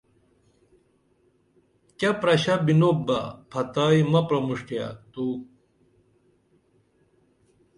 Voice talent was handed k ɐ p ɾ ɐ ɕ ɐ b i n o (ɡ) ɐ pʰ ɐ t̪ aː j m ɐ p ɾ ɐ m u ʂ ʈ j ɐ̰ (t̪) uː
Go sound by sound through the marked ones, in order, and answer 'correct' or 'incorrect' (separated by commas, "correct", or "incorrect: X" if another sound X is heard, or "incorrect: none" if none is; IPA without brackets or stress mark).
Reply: incorrect: b, correct